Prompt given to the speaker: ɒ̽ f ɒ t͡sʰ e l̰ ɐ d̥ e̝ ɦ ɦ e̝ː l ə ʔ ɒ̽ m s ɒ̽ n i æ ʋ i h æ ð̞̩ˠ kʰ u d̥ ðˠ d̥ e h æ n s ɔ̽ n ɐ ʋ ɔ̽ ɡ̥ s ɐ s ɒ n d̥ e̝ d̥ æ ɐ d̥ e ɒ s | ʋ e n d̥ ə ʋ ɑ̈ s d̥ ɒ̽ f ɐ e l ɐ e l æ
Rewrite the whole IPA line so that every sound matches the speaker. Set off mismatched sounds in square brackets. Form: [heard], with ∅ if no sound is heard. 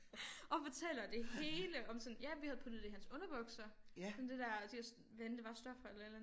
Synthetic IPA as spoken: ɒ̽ f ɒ t͡sʰ e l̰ ɐ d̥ e̝ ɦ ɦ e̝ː l ə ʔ ɒ̽ m s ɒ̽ n [j] æ ʋ i h æ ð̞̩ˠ [pʰ] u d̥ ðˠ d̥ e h æ n s ɔ̽ n ɐ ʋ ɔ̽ ɡ̥ s ɐ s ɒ n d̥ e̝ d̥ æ ɐ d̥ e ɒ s | ʋ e n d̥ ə ʋ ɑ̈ s d̥ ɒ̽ f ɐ e l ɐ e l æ